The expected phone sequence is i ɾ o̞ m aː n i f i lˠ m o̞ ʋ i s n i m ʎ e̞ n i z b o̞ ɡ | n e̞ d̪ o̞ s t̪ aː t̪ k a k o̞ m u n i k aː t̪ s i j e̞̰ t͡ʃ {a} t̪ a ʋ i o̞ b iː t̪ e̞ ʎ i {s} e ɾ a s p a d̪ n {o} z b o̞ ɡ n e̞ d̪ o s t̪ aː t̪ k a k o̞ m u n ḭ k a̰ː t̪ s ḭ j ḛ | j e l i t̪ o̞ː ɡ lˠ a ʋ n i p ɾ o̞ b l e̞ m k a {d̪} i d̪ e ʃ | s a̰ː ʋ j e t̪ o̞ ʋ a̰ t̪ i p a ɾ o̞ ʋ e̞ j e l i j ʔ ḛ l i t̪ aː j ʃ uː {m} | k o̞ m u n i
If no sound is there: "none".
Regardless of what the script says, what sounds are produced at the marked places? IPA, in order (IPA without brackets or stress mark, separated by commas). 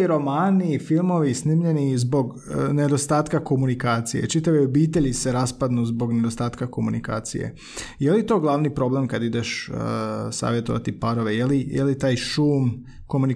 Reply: i, s, u, d̪, m